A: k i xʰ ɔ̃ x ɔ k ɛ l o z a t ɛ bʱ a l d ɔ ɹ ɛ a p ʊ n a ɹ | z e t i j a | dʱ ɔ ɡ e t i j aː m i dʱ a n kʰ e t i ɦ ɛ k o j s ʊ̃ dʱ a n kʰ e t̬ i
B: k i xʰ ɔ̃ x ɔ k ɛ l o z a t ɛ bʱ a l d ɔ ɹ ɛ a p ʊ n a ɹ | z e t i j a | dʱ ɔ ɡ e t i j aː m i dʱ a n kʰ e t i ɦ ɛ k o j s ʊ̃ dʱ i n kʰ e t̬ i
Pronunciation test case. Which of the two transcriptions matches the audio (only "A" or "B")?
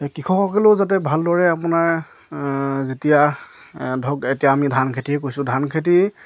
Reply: A